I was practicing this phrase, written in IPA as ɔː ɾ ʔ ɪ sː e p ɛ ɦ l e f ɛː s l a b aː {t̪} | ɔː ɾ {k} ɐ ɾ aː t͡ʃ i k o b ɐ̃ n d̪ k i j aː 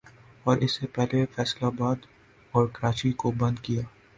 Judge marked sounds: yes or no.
no, yes

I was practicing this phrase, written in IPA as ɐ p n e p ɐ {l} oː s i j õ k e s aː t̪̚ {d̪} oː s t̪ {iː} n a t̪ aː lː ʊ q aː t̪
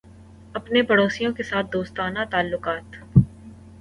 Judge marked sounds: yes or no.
no, yes, no

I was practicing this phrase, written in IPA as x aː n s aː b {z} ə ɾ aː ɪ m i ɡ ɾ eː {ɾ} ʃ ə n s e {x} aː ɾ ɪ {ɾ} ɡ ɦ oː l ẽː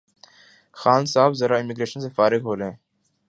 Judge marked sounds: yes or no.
yes, no, no, no

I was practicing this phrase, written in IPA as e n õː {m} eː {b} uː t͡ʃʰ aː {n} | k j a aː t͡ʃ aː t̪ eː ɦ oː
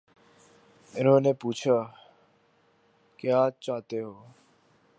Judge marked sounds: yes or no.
no, no, no

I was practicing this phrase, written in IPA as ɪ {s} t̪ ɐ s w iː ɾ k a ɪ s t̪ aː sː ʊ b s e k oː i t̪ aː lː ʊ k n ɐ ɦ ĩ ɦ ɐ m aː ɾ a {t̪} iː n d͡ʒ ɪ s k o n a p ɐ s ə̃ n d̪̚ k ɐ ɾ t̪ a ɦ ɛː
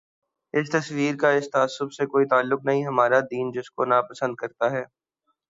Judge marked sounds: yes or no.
yes, no

